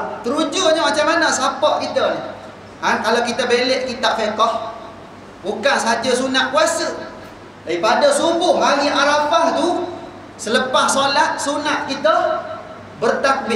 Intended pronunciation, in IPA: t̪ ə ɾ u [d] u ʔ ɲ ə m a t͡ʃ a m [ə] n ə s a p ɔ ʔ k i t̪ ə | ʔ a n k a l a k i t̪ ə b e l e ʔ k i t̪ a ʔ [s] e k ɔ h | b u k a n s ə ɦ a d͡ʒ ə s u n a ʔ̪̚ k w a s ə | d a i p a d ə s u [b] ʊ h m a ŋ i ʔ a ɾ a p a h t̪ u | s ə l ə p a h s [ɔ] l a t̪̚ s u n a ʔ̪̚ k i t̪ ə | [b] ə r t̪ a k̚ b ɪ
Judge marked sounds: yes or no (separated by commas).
no, no, no, yes, no, yes